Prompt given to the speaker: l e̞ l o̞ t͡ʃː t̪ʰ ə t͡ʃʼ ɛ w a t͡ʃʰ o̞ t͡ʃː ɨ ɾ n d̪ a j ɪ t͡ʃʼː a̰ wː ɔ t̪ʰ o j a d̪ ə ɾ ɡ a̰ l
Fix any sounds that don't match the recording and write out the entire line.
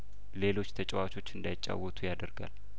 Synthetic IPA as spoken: l e̞ l o̞ t͡ʃː t̪ʰ ə t͡ʃʼ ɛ w a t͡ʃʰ o̞ t͡ʃː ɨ n d̪ a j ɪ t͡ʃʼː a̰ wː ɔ t̪ʰ u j a d̪ ə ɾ ɡ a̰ l